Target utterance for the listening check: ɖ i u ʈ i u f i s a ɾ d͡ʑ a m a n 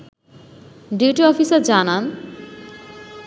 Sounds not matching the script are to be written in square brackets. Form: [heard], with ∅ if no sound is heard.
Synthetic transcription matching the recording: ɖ i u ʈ i [ɔ] f i s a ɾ d͡ʑ a [n] a n